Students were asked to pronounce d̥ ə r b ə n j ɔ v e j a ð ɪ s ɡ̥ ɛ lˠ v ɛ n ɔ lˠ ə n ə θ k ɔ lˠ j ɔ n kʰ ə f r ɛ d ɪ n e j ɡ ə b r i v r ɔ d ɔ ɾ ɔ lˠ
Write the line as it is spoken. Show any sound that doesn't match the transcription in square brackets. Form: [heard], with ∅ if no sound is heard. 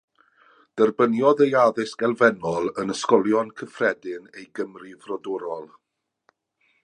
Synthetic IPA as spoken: d̥ ə r b ə n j ɔ [ð] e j a ð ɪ s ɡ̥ ɛ lˠ v ɛ n ɔ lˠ ə n ə [s] k ɔ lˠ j ɔ n kʰ ə f r ɛ d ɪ n e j ɡ ə [m] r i v r ɔ d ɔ ɾ ɔ lˠ